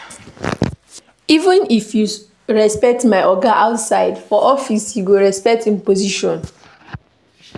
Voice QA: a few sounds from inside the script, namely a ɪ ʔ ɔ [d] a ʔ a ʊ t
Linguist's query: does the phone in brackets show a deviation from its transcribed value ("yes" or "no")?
yes